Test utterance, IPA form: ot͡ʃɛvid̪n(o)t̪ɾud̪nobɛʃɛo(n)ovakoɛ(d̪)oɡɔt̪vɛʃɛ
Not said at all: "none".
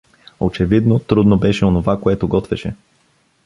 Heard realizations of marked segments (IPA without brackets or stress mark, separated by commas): o, n, t̪